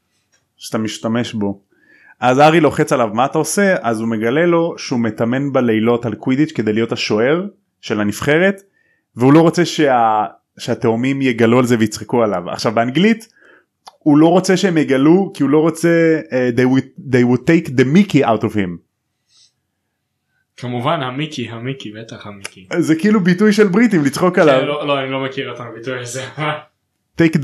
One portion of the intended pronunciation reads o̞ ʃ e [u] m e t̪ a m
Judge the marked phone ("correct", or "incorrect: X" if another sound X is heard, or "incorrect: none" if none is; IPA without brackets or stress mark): correct